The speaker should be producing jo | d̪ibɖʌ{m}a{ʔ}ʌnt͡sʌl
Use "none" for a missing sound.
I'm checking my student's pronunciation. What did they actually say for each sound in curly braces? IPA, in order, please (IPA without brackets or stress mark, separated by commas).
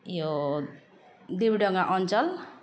ŋ, ʔ